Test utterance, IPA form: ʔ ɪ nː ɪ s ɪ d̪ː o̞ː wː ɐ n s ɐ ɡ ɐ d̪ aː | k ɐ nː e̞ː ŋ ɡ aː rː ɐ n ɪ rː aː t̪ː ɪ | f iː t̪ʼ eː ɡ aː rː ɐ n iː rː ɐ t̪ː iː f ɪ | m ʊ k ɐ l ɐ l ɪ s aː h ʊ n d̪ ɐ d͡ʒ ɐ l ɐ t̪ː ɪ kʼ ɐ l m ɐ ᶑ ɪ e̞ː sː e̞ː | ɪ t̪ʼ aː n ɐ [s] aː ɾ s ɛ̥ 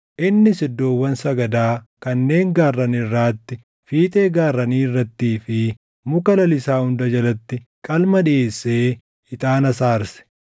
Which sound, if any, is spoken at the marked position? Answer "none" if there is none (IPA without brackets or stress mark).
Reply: s